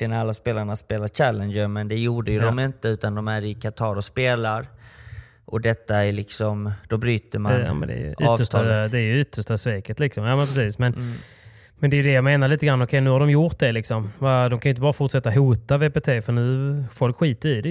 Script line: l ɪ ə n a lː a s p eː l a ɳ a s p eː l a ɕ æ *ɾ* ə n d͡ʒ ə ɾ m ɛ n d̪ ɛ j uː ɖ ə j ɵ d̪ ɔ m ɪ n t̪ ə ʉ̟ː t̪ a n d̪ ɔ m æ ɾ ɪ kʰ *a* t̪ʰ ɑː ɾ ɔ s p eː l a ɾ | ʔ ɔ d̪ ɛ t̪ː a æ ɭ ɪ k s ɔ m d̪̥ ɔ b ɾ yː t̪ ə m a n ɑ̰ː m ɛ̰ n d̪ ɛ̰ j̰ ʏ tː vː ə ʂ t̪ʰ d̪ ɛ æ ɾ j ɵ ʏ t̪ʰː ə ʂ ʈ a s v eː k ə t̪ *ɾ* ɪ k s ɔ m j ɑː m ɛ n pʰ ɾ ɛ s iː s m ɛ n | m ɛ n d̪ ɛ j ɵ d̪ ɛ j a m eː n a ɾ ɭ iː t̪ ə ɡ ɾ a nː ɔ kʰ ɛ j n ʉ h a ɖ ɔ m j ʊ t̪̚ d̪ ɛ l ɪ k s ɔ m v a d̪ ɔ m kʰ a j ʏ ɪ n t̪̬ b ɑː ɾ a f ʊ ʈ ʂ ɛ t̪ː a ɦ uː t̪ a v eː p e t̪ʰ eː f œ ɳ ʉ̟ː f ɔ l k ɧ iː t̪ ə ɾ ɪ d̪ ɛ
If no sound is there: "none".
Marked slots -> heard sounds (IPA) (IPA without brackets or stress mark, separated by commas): l, a, l